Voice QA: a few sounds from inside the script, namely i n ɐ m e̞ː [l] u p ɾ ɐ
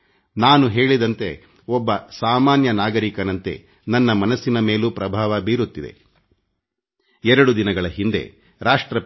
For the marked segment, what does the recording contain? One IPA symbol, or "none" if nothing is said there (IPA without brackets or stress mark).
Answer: l